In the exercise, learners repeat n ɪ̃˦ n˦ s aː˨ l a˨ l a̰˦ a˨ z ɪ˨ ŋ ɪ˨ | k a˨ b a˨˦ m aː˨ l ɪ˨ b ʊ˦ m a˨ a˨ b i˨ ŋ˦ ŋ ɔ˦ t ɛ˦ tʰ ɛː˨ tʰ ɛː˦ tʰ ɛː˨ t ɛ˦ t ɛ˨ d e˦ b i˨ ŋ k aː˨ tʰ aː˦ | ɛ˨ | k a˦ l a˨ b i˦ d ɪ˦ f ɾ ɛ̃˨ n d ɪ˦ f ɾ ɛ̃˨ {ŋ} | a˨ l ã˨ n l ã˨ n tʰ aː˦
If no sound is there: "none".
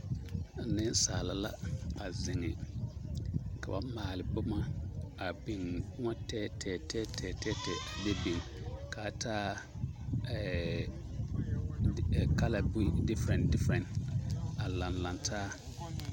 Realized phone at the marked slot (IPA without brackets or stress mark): n